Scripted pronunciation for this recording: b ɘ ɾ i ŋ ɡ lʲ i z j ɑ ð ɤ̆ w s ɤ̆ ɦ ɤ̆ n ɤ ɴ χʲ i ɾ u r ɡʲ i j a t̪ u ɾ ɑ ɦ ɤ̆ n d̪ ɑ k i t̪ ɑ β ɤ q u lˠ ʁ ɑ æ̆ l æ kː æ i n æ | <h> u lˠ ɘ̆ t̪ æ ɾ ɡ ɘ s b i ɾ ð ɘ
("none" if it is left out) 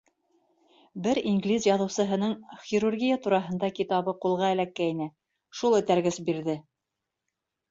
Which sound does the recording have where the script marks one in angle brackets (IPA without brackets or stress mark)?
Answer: ʃ